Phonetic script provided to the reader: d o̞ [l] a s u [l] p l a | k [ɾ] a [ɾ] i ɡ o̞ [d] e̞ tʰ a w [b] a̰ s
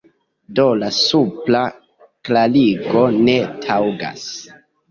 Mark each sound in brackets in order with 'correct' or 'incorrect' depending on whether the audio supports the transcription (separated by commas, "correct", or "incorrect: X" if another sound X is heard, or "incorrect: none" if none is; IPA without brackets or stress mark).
correct, incorrect: none, incorrect: l, incorrect: l, incorrect: n, incorrect: ɡ